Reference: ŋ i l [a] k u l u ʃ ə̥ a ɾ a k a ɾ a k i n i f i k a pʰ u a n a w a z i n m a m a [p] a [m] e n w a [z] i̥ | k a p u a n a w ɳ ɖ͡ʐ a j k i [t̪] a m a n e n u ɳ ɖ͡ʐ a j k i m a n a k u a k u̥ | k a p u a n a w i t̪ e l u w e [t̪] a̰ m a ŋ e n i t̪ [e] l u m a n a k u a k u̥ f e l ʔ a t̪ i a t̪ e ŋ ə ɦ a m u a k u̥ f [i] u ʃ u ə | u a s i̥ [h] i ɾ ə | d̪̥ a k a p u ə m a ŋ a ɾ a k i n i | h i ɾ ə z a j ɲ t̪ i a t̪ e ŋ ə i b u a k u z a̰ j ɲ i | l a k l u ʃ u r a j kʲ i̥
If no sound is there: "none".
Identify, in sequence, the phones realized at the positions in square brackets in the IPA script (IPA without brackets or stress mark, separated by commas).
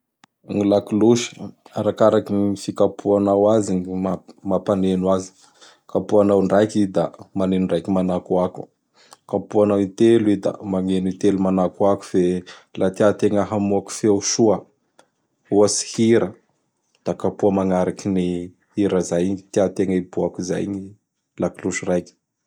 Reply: a, p, n, z, d̪, d̪, e, e, h